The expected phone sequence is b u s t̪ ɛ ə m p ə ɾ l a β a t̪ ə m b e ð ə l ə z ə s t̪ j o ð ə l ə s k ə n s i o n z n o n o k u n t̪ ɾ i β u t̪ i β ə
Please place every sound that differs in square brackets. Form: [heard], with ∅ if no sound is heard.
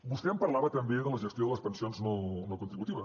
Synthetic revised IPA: b u s t̪ ɛ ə m p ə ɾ l a β [ə] t̪ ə m b e ð ə l ə [ʒ] ə s t̪ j o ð ə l ə s [p] ə n s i o n z n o n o k u n t̪ ɾ i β u t̪ i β ə